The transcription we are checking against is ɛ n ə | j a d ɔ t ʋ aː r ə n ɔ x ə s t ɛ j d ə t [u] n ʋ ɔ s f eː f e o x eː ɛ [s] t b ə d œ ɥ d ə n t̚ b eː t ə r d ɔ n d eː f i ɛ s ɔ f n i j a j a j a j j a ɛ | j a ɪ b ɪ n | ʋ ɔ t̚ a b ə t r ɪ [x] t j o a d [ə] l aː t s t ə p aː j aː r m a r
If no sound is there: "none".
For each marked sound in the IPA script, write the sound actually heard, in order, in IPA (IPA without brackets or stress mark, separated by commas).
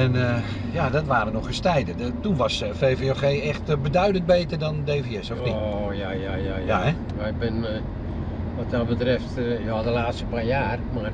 u, x, f, ə